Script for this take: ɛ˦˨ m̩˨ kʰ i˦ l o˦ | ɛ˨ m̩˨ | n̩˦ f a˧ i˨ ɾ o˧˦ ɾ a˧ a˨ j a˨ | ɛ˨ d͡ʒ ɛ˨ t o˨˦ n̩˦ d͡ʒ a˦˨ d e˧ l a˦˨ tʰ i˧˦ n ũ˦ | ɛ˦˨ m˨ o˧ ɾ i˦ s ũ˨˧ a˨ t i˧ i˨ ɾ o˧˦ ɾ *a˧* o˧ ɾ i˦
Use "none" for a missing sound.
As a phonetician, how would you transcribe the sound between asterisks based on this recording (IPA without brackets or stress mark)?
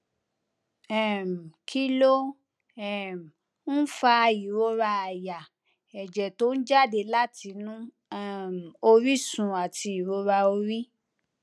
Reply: a˧